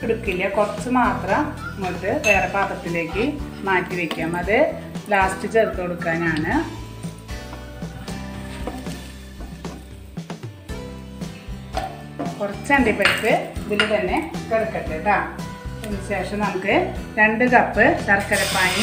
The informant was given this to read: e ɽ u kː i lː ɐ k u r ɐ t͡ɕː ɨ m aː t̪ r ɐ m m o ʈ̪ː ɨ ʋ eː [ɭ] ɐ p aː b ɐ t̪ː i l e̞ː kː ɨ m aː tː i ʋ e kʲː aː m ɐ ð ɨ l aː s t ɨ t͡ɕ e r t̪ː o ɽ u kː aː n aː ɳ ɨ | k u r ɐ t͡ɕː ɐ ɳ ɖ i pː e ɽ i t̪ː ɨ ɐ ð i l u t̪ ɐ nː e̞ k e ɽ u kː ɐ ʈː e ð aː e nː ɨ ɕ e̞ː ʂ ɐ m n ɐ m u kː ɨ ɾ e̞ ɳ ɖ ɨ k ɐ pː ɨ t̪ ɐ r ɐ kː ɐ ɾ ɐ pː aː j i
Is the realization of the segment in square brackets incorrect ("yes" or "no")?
yes